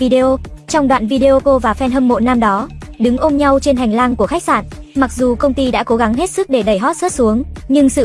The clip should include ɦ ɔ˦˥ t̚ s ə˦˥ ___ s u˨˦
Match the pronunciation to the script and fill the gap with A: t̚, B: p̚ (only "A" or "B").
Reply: A